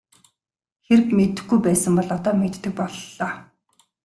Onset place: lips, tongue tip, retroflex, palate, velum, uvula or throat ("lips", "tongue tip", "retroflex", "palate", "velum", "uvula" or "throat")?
velum